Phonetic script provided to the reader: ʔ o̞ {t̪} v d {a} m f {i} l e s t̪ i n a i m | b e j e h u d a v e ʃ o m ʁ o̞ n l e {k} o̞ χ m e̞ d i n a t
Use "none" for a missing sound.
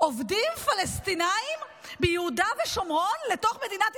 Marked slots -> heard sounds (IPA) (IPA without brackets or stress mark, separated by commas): none, i, a, t